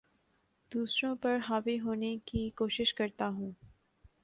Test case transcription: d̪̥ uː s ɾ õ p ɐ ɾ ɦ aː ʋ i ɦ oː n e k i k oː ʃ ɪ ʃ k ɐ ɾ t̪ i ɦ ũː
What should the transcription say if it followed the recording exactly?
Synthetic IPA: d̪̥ uː s ɾ õ p ɐ ɾ ɦ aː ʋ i ɦ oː n e k i k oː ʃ ɪ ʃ k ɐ ɾ t̪ a ɦ ũː